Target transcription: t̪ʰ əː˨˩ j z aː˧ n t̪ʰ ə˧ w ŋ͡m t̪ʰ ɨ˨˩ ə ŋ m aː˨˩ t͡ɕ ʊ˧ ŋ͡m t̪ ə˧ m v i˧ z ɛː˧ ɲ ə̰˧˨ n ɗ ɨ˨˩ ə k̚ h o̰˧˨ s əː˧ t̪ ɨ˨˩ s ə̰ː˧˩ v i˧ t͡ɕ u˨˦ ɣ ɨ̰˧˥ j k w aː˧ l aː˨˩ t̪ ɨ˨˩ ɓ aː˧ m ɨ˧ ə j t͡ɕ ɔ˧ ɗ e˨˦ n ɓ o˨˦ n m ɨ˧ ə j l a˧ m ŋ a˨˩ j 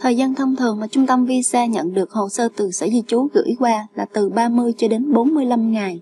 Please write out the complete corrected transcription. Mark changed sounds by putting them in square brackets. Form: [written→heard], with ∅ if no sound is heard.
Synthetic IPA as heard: t̪ʰ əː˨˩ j z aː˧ n t̪ʰ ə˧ w ŋ͡m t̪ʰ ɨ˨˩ ə ŋ m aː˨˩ t͡ɕ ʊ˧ ŋ͡m t̪ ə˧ m v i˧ [z→s] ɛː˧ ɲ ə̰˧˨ n ɗ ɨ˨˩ ə k̚ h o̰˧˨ s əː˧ t̪ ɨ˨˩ s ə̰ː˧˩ [v→z] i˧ t͡ɕ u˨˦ ɣ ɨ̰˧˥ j k w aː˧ l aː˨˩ t̪ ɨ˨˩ ɓ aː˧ m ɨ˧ ə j t͡ɕ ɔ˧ ɗ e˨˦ n ɓ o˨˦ n m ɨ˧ ə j l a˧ m ŋ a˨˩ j